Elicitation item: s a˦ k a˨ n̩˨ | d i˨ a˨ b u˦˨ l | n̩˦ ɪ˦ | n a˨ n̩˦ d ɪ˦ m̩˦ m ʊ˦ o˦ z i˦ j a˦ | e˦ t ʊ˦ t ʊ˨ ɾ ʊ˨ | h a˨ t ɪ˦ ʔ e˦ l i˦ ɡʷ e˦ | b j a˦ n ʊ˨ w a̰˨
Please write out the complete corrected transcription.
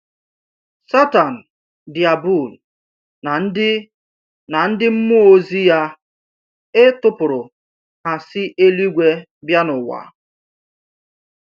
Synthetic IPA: s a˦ t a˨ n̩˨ | d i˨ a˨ b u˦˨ l | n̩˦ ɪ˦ | n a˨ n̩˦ d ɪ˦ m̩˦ m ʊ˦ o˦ z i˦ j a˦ | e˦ t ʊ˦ p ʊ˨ ɾ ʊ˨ | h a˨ s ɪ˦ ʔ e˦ l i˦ ɡʷ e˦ | b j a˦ n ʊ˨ w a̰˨